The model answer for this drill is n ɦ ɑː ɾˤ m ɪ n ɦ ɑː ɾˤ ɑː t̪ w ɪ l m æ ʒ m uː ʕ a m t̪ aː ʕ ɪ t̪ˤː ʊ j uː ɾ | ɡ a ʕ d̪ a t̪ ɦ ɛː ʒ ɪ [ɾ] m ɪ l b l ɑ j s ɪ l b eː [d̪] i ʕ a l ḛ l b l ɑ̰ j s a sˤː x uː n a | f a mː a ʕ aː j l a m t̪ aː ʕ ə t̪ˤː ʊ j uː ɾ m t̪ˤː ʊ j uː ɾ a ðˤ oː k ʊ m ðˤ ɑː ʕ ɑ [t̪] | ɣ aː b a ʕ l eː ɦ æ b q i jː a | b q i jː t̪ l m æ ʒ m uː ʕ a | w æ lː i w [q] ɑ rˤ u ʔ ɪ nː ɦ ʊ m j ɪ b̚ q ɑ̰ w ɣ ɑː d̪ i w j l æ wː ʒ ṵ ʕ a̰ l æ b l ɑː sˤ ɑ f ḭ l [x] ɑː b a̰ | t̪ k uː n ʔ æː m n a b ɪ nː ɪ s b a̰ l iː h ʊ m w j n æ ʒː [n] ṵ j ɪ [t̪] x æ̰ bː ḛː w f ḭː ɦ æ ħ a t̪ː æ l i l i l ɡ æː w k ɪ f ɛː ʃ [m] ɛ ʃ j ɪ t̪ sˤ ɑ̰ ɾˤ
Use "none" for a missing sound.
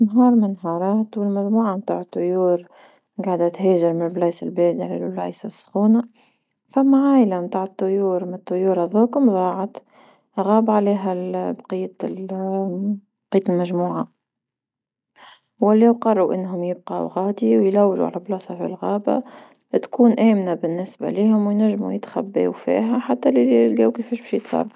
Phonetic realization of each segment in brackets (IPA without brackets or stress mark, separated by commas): ɾ, d̪, t̪, q, ɣ, m, t̪, b